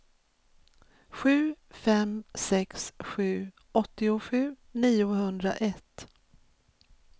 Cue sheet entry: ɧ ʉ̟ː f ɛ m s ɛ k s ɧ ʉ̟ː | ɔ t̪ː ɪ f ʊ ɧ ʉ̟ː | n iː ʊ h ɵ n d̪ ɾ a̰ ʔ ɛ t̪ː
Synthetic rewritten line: ɧ ʉ̟ː f ɛ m s ɛ k s ɧ ʉ̟ː | ɔ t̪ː ɪ ʊ ɧ ʉ̟ː | n iː ʊ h ɵ n d̪ ɾ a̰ ʔ ɛ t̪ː